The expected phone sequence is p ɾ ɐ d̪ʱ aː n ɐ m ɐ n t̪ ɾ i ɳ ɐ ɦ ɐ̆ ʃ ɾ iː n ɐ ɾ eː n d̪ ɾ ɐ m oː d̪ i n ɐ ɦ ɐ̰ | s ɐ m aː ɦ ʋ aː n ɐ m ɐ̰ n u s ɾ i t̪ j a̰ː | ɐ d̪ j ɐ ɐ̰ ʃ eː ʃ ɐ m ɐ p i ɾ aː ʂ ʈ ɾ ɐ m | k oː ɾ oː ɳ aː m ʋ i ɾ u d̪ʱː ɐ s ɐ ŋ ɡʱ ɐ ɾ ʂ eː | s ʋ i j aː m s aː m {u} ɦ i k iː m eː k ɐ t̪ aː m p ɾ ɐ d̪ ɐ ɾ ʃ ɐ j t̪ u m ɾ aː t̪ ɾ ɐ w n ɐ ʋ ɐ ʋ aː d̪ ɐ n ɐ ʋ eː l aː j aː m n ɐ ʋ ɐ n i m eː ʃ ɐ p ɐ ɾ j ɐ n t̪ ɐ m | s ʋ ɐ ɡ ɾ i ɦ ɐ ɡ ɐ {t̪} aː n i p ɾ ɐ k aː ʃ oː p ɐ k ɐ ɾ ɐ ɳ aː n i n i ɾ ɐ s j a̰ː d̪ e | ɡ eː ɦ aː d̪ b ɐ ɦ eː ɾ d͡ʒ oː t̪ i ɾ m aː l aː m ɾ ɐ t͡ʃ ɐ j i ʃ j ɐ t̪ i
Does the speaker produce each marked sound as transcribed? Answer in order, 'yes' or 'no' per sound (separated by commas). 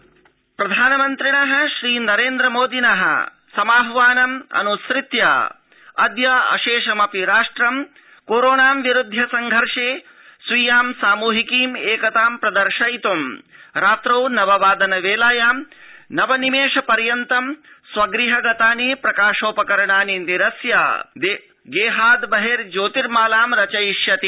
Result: no, yes